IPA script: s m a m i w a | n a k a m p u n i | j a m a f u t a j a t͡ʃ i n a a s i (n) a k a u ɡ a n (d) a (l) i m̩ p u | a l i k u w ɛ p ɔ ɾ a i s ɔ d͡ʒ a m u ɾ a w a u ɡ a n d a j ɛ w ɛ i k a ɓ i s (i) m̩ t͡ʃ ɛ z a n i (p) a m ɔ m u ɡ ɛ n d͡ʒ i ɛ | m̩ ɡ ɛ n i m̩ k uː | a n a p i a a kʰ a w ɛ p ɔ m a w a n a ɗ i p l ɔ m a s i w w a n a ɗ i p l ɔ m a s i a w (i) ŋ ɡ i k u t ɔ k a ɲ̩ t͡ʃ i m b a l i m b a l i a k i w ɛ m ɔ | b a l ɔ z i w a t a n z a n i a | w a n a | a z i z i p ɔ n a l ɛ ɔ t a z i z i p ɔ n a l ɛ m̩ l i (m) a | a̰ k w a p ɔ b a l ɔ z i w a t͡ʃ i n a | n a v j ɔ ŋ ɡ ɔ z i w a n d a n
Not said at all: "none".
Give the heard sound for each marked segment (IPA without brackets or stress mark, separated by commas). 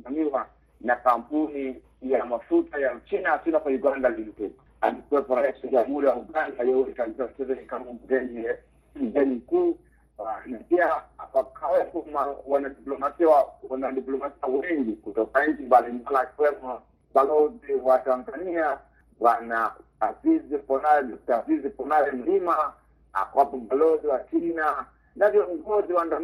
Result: n, d, l, a, k, ɛ, m